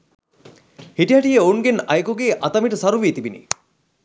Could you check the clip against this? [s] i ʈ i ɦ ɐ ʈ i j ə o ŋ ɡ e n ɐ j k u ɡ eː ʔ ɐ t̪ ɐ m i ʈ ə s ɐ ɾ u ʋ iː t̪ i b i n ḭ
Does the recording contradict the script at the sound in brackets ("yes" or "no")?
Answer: yes